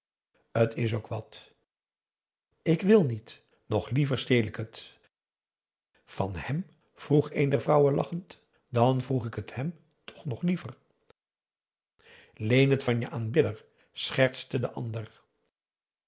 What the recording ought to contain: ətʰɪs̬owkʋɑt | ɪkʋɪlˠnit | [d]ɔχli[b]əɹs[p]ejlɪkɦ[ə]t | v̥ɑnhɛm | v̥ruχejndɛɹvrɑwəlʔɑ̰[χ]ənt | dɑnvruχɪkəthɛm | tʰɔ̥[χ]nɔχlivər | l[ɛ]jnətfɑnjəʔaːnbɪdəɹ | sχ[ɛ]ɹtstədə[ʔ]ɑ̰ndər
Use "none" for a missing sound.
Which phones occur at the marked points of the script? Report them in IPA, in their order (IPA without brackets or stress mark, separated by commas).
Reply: n, v, t, ə, χ, χ, e, ɛ, ʔ